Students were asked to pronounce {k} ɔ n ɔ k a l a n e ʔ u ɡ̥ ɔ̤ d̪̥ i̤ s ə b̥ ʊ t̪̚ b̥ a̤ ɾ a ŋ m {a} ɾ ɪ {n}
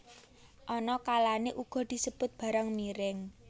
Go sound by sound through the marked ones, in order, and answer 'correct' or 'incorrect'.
incorrect: ʔ, incorrect: i, incorrect: ŋ

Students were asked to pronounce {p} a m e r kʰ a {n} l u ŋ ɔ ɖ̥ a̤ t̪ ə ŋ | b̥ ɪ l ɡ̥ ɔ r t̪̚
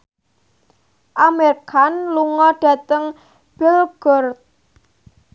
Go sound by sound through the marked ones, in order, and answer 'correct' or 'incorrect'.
incorrect: ʔ, correct

